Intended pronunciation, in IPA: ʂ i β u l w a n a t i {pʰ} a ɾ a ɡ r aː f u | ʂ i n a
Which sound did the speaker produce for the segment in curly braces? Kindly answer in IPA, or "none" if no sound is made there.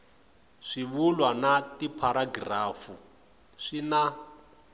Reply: pʰ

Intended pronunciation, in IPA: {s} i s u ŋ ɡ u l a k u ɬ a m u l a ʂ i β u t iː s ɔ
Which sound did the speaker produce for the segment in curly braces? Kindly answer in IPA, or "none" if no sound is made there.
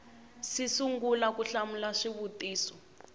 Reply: s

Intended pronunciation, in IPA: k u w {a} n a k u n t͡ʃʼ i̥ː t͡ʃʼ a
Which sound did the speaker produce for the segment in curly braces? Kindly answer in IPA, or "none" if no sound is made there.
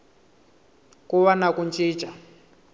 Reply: a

